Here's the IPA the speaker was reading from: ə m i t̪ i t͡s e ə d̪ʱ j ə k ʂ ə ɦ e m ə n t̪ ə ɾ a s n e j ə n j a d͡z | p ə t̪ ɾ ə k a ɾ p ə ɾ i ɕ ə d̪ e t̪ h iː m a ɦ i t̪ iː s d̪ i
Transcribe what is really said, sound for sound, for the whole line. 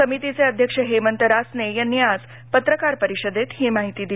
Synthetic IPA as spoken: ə m i t̪ i t͡s e ə d̪ʱ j ə k ʂ ə ɦ e m ə n t̪ ə ɾ a s n e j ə n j a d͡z | p ə t̪ ɾ ə k a ɾ p ə ɾ i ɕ ə d̪ e t̪ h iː m a ɦ i t̪ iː d̪ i